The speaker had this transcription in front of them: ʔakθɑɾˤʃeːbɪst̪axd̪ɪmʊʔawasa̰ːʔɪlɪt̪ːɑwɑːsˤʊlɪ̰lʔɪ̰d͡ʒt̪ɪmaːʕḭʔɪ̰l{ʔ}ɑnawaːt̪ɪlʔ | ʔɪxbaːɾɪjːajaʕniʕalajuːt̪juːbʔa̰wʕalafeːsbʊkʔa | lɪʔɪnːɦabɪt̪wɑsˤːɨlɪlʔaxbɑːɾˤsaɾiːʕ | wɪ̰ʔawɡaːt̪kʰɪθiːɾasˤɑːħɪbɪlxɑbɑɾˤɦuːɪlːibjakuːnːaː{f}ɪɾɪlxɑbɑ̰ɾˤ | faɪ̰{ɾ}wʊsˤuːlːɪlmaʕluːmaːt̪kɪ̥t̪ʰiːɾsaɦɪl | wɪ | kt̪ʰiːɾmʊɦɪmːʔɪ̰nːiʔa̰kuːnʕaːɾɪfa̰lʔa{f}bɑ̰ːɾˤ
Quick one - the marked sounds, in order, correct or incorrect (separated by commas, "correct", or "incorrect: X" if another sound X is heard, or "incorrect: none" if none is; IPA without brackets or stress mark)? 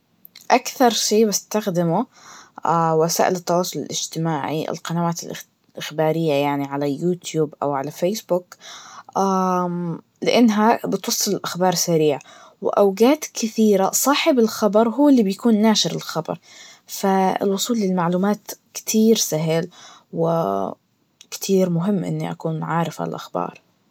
incorrect: q, incorrect: ʃ, incorrect: l, incorrect: x